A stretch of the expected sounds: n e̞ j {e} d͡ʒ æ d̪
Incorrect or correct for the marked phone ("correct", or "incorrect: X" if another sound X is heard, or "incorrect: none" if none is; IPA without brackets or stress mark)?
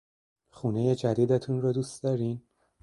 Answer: correct